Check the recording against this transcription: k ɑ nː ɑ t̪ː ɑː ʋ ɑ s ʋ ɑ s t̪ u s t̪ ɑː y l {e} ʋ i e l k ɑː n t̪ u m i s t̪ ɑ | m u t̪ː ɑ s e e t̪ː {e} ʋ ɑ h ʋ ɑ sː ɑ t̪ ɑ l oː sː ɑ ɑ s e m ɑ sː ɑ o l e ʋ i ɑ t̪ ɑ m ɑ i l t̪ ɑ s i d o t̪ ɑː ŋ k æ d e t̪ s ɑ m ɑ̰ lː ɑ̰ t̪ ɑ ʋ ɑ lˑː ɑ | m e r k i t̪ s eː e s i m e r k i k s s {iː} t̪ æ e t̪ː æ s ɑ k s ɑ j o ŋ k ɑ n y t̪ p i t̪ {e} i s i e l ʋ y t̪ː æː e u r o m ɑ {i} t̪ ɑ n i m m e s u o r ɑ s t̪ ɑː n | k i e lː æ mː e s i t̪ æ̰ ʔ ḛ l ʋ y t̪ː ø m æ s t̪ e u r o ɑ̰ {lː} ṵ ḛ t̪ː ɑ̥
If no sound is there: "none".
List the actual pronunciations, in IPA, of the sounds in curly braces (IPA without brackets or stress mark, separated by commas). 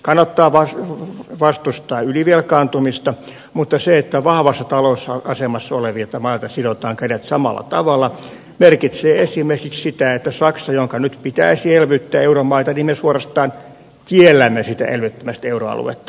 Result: i, æ, i, æ, i, l